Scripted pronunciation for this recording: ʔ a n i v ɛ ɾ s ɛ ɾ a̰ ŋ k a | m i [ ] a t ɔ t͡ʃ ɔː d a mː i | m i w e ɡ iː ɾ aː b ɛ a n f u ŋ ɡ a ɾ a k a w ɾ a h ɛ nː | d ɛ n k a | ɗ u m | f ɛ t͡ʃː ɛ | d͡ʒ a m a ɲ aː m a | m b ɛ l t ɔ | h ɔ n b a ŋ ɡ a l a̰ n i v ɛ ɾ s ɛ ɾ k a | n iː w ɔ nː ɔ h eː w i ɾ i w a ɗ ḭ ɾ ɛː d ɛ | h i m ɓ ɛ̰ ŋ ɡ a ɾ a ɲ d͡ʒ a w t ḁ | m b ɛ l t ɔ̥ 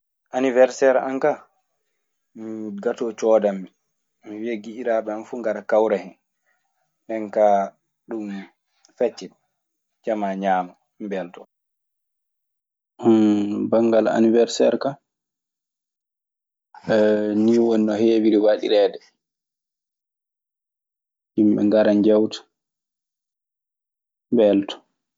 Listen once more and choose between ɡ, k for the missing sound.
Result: ɡ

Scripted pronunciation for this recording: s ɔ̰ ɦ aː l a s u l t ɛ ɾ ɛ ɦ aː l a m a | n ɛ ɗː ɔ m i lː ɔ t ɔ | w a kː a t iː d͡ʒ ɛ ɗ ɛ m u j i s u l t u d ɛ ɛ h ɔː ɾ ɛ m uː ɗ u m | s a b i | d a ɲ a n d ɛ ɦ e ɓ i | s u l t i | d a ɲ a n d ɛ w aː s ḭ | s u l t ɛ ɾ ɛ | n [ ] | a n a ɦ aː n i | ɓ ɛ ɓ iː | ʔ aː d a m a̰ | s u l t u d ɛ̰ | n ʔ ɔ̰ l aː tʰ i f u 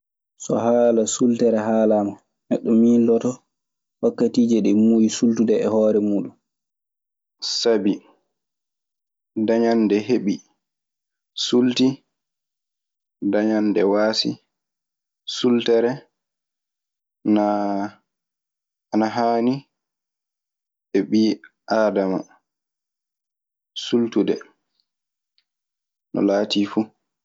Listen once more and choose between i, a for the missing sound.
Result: a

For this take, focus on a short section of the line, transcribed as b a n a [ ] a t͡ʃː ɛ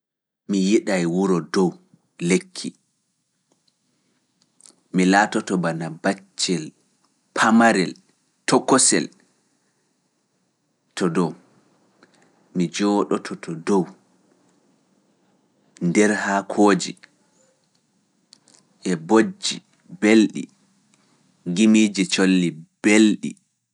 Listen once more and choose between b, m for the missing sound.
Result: b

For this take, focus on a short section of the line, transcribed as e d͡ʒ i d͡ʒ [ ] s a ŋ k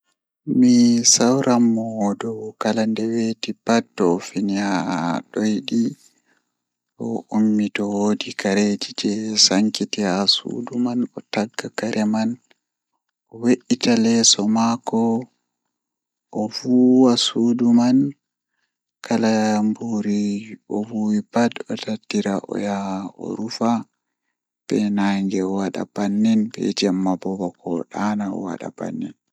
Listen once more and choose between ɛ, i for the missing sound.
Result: ɛ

